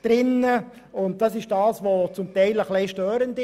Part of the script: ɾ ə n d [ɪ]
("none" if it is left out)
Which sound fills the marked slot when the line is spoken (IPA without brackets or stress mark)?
ɪ